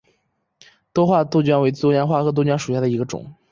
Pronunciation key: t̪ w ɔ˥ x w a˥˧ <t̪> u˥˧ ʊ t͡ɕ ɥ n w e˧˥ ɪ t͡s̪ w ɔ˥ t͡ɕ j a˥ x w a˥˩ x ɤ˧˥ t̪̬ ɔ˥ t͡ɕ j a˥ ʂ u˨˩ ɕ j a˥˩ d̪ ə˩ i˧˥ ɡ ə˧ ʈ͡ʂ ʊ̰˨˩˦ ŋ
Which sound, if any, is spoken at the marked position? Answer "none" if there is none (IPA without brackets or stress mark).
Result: t̪